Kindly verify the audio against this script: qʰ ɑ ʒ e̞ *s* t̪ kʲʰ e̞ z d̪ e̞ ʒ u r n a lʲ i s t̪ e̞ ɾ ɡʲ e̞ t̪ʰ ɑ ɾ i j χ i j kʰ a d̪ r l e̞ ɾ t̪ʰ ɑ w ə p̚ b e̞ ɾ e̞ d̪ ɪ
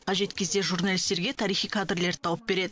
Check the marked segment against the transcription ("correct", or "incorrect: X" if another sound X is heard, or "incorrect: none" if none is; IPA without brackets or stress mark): incorrect: none